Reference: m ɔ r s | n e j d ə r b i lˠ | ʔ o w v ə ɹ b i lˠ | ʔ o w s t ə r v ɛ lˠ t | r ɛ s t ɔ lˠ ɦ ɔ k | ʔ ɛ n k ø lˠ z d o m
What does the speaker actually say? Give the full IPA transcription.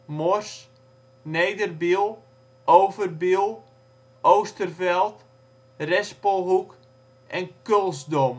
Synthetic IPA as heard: m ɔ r s | n e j d ə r b i lˠ | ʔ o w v ə r b i lˠ | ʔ o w s t ə r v ɛ lˠ t | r ɛ s p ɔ lˠ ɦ u k | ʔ ɛ n k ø lˠ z d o m